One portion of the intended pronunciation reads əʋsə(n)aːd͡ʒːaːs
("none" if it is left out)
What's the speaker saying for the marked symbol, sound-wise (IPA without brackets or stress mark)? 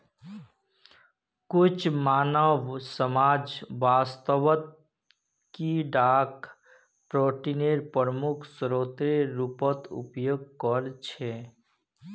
m